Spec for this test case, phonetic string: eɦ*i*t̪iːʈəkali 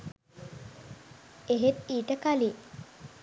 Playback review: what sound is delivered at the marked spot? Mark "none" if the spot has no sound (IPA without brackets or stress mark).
e